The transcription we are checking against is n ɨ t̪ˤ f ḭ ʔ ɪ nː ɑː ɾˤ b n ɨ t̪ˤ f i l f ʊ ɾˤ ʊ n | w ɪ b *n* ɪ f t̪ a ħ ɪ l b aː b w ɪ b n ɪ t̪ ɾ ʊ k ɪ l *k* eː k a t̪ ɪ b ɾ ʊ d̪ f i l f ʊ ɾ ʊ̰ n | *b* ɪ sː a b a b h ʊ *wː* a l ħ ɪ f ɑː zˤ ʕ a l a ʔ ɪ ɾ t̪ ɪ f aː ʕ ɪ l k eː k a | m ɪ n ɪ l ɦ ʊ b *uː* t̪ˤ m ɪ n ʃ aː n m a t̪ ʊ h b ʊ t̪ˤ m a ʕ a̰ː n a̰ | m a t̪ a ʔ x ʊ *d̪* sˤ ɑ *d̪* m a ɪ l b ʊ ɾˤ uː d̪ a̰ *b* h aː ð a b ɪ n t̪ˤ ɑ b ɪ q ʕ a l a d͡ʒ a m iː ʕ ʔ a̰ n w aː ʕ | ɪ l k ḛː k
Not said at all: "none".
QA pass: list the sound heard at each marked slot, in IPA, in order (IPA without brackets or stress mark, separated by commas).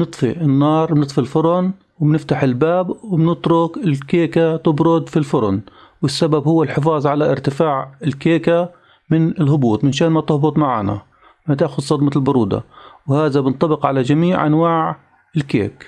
n, k, w, wː, uː, d̪, d̪, w